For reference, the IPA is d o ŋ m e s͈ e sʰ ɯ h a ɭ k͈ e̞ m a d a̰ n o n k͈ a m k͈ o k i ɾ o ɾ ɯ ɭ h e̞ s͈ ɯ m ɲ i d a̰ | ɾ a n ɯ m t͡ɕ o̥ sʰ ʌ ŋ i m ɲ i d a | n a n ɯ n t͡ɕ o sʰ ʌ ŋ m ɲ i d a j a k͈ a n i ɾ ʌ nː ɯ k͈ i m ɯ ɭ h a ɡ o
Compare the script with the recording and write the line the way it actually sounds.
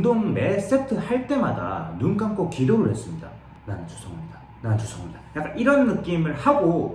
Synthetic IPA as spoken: d o ŋ m e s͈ e tʰ ɯ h a ɭ t͈ e̞ m a d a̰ n u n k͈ a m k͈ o k i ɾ o ɾ ɯ ɭ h e̞ s͈ ɯ m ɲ i d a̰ | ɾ a n ɯ n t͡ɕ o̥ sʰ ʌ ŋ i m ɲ i d a | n a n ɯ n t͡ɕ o sʰ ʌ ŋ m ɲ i d a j a k͈ a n i ɾ ʌ nː ɯ k͈ i m ɯ ɭ h a ɡ o